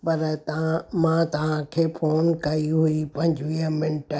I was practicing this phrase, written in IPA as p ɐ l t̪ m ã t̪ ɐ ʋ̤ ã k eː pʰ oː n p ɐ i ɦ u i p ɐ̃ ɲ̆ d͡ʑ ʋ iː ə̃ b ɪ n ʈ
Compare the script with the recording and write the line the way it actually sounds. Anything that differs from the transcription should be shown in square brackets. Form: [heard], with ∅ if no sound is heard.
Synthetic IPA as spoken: p ɐ [ɾ] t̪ m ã t̪ ɐ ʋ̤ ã [kʰ] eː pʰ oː n [k] ɐ i ɦ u i p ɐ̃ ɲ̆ d͡ʑ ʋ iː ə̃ [m] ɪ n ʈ